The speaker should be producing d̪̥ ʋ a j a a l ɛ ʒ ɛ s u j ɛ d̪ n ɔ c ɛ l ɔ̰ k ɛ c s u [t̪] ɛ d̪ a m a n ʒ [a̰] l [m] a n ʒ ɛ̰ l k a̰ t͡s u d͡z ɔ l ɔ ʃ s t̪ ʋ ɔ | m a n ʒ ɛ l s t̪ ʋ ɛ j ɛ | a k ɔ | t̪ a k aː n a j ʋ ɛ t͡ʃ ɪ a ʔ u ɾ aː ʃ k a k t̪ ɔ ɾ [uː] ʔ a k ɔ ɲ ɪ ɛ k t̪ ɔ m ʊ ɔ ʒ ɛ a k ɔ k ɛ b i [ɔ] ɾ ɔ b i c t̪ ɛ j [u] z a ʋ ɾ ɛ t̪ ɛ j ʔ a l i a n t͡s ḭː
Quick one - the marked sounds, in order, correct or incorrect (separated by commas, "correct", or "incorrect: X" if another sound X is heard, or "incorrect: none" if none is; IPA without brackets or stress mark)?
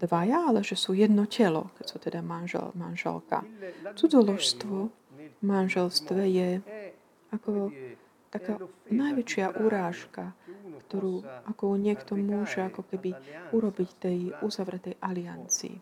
correct, incorrect: ɛ̰, correct, correct, incorrect: u, correct